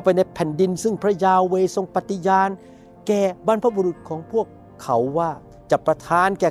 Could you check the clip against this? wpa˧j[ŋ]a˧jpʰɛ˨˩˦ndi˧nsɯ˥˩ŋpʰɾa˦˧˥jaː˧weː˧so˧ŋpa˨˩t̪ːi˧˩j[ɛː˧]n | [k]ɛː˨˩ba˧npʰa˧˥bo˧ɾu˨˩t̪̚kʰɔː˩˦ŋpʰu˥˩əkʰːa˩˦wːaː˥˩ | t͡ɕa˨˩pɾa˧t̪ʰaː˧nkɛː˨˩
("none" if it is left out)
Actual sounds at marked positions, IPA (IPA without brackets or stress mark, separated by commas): n, aː˧, k